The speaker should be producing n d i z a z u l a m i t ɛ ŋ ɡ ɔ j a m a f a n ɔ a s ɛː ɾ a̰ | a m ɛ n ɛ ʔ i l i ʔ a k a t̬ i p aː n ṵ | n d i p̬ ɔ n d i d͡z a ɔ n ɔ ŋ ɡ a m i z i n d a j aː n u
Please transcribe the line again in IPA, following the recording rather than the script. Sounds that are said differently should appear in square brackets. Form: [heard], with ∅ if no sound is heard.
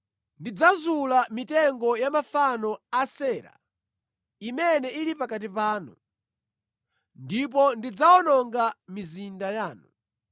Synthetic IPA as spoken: n d i [d͡z] a z u l a m i t ɛ ŋ ɡ ɔ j a m a f a n ɔ a s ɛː ɾ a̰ | [i] m ɛ n ɛ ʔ i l i [p] a k a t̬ i p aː n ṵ | n d i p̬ ɔ n d i d͡z a ɔ n ɔ ŋ ɡ a m i z i n d a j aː n u